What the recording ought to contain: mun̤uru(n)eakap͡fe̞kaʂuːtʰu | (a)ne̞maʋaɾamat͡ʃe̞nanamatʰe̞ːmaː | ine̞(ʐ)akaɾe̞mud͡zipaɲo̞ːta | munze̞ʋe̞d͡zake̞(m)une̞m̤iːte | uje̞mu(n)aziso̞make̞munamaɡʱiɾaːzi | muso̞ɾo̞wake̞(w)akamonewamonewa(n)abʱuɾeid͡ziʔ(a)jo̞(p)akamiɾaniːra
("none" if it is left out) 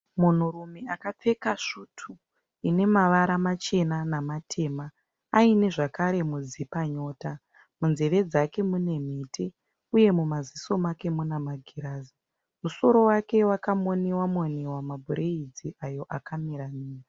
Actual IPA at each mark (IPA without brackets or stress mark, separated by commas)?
m, i, ʐ, m, m, w, m, a, ʔ